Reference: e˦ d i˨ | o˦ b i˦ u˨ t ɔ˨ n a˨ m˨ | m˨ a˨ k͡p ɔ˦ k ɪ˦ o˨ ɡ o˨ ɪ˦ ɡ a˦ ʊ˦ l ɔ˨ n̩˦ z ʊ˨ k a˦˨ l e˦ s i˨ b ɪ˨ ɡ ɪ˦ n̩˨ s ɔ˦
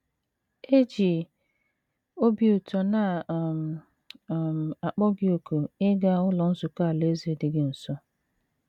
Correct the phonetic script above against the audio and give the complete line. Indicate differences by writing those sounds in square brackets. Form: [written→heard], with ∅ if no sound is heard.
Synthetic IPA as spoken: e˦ [d→d͡ʒ] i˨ | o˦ b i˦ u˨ t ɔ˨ n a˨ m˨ | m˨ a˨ k͡p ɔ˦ [k→ɡ] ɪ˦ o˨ [ɡ→k] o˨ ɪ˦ ɡ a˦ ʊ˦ l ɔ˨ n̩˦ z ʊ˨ k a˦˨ l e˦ [s→z] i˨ [b→d] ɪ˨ ɡ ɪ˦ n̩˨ s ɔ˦